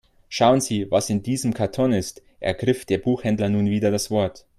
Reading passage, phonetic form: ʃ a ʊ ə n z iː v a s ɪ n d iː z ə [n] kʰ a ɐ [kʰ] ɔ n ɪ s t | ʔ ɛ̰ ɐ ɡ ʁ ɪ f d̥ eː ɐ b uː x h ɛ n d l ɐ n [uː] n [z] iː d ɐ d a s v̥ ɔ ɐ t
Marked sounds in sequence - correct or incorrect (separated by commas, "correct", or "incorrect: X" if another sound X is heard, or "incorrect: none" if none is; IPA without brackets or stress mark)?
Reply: incorrect: m, incorrect: tʰ, correct, incorrect: v